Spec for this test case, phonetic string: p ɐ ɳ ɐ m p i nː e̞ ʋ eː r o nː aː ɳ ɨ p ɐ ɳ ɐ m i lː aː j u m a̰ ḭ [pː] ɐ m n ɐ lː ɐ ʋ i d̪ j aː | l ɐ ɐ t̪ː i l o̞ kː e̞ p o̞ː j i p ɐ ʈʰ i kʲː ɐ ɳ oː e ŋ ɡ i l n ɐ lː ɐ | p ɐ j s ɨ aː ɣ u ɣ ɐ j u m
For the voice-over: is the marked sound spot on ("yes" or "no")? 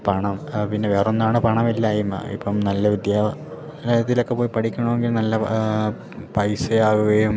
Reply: yes